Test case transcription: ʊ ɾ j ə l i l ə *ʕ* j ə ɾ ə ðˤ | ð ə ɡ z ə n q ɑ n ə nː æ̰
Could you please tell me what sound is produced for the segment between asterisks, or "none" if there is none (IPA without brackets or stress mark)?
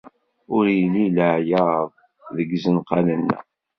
ʕ